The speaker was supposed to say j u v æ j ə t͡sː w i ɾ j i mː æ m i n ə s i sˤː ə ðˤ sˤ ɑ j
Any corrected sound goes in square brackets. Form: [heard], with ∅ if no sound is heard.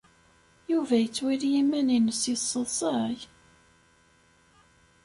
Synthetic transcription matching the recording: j u v æ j ə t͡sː w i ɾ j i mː æ [n] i n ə s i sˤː ə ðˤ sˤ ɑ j